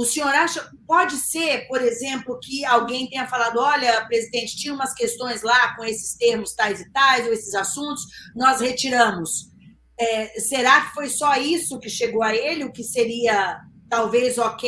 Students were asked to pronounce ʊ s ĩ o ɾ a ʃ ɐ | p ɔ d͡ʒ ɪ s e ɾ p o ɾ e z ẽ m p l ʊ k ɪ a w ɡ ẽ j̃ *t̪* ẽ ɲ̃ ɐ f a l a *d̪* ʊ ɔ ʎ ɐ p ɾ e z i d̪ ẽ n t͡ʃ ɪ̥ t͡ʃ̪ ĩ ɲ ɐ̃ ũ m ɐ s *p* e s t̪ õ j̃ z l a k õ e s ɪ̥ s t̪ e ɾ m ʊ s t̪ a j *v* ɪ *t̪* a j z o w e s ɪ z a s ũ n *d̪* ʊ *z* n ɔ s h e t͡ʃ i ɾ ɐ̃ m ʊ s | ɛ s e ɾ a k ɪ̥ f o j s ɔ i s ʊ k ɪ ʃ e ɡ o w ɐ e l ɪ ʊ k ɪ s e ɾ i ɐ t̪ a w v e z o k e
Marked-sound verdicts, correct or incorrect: correct, correct, incorrect: k, incorrect: z, correct, incorrect: t̪, incorrect: s

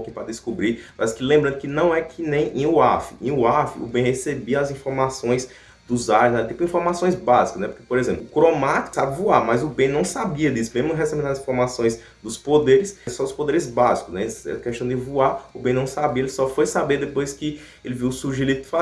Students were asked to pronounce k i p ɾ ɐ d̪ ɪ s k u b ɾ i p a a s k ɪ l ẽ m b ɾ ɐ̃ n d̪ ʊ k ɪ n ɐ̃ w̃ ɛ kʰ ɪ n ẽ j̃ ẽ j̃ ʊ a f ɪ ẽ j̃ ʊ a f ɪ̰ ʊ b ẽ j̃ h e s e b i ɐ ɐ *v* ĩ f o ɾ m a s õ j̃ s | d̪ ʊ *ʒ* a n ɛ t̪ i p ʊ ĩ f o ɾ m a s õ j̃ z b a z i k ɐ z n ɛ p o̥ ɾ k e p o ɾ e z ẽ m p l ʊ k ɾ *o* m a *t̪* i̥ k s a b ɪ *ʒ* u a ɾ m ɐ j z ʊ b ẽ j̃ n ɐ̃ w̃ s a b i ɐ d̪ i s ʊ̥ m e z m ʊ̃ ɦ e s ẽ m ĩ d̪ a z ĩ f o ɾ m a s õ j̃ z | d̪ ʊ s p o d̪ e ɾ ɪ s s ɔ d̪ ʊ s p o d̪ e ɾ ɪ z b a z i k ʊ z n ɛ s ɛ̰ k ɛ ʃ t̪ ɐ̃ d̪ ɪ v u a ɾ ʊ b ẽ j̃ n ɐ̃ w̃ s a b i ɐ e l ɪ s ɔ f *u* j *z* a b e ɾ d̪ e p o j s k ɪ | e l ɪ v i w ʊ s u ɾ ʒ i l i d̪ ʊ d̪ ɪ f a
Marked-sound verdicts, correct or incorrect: incorrect: z, incorrect: z, correct, correct, incorrect: v, incorrect: o, incorrect: s

